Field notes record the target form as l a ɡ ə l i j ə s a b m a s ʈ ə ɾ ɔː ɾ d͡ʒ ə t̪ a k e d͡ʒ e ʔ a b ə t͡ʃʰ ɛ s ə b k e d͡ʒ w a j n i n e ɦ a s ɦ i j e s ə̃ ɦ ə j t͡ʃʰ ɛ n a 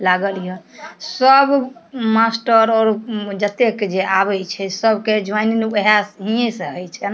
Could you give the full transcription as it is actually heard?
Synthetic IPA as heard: l a ɡ ə l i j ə s ə b m a s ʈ ə ɾ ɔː ɾ d͡ʒ ə t̪ e k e d͡ʒ e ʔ a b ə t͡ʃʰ ɛ s ə b k e d͡ʒ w a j n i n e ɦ a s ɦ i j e s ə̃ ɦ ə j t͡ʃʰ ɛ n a